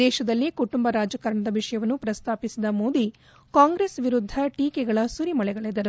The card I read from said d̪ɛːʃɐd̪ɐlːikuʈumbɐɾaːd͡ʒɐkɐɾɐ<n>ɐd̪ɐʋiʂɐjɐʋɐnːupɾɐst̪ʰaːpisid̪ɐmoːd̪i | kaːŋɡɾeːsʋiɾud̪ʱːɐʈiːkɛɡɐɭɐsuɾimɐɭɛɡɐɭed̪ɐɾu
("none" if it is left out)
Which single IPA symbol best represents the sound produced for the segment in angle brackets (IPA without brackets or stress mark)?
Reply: ɳ